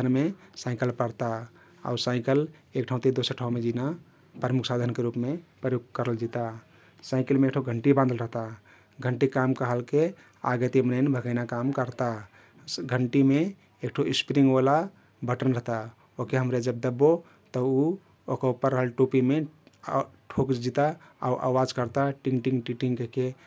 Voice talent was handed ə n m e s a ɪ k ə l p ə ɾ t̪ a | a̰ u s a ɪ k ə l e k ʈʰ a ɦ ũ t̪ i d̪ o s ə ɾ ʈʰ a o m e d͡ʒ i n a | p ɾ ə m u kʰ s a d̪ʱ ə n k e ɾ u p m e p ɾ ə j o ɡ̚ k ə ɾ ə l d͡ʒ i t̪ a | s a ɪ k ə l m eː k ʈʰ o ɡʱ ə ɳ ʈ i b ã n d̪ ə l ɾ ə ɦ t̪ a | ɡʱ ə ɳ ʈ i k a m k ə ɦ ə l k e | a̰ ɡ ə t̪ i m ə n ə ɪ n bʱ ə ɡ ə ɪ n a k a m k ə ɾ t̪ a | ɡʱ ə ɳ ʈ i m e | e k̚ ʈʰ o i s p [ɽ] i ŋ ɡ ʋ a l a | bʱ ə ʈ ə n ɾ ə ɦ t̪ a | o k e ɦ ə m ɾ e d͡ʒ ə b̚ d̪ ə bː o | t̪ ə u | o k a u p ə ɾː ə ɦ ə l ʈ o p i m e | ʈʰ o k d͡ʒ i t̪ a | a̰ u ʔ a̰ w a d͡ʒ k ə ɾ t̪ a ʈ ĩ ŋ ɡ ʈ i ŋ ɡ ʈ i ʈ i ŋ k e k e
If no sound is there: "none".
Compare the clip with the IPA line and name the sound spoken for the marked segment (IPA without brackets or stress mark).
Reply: ɾ